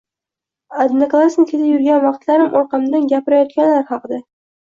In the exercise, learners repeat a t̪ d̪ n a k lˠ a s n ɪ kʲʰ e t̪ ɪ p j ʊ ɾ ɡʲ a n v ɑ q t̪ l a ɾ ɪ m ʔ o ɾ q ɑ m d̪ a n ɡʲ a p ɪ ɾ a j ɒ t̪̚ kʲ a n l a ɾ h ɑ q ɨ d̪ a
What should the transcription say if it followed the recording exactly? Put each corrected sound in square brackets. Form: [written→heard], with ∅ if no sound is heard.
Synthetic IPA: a [t̪→∅] d̪ n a k lˠ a s n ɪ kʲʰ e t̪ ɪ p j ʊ ɾ ɡʲ a n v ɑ q t̪ l a ɾ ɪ m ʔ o ɾ q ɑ m d̪ a n ɡʲ a p ɪ ɾ a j ɒ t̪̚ kʲ a n l a ɾ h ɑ q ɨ d̪ a